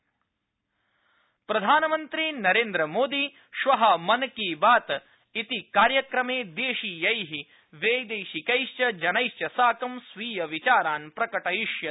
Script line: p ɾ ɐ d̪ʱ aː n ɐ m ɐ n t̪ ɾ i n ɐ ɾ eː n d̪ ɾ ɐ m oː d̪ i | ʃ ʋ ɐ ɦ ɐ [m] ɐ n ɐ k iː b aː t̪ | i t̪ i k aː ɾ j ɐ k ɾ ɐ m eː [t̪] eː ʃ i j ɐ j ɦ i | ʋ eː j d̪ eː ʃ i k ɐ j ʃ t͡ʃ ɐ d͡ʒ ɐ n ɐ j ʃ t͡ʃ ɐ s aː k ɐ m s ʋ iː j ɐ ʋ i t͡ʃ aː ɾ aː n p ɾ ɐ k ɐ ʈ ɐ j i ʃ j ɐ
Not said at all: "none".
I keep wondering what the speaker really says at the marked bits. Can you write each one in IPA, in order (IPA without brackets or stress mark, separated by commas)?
m, d̪